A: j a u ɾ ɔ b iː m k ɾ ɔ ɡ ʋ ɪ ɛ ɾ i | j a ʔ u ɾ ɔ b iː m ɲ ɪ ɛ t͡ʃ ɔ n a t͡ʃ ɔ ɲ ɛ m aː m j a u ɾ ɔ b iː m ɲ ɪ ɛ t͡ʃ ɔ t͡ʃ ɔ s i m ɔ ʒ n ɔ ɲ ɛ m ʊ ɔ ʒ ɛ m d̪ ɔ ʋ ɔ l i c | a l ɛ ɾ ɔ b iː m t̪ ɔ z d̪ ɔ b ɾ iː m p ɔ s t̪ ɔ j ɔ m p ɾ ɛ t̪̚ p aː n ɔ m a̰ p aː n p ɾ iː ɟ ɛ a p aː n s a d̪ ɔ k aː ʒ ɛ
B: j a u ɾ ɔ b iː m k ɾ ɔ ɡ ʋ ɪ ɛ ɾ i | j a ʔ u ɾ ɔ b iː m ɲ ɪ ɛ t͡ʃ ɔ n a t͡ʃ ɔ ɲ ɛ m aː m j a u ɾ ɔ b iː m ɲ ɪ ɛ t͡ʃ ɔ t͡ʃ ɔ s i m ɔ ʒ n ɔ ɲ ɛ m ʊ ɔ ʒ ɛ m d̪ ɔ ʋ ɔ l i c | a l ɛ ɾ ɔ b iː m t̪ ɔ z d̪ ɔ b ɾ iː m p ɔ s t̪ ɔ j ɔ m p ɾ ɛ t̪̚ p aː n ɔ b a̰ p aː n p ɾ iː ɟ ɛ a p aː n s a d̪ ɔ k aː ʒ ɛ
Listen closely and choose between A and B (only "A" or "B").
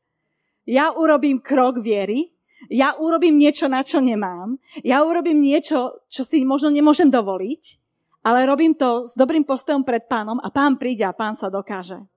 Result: A